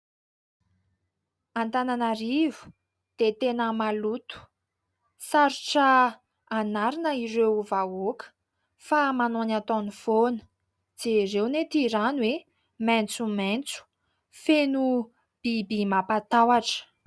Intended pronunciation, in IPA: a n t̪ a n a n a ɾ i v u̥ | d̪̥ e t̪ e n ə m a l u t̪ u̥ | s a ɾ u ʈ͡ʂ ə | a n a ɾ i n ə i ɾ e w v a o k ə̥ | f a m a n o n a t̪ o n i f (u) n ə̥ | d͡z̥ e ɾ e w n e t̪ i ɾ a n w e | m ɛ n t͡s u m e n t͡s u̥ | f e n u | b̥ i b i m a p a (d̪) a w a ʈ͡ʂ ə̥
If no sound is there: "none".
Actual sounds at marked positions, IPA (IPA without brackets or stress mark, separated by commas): o, t̪